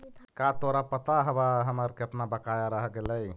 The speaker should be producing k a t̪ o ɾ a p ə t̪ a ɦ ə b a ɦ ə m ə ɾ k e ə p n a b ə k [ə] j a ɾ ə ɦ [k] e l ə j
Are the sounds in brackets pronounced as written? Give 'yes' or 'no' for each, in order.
no, no

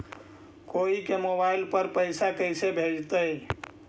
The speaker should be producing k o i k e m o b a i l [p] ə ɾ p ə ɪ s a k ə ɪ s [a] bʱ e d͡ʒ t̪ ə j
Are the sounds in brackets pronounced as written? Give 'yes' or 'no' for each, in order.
yes, no

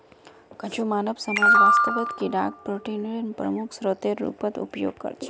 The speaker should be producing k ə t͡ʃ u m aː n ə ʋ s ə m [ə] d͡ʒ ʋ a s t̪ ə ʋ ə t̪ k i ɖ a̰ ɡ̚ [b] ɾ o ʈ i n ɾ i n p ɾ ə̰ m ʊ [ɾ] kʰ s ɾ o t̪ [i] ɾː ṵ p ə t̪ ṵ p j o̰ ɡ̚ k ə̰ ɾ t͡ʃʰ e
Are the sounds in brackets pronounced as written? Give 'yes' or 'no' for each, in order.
no, no, no, no

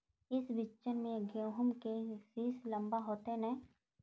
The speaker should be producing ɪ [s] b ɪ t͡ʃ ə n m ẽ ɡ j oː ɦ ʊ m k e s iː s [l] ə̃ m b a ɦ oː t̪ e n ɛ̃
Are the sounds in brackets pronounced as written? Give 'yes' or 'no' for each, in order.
yes, yes

